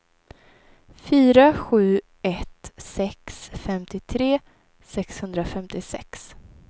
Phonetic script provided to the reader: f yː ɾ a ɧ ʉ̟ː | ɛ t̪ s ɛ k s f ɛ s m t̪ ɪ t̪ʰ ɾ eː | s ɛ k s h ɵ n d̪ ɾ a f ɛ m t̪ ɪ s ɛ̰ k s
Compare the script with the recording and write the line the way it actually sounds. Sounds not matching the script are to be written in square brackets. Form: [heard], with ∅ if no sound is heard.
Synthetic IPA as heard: f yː ɾ a ɧ ʉ̟ː | ɛ t̪ s ɛ k s f ɛ [∅] m t̪ ɪ t̪ʰ ɾ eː | s ɛ k s h ɵ n d̪ ɾ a f ɛ m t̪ ɪ s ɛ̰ k s